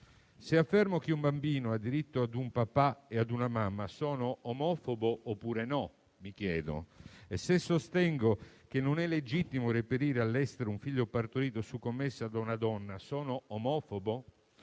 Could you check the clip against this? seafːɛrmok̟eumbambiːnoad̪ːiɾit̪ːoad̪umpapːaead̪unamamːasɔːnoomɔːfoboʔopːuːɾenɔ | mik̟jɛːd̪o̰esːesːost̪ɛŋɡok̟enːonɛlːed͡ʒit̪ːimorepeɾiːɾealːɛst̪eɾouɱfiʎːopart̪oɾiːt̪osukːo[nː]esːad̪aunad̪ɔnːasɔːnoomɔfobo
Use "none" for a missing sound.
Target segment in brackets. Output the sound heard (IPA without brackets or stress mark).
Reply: mː